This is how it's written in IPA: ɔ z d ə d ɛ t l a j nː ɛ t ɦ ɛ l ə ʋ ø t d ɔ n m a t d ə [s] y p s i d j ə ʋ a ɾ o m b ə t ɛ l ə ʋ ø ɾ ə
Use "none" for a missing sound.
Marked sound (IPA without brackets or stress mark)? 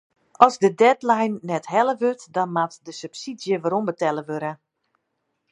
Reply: s